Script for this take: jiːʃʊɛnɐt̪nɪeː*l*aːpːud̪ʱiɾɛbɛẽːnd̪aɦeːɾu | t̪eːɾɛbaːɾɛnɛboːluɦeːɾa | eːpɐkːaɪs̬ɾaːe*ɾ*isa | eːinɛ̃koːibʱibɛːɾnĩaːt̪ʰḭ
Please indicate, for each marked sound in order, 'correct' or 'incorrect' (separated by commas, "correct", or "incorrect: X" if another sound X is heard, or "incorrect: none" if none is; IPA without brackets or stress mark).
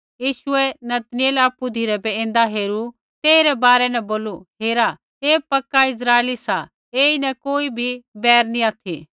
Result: correct, incorrect: l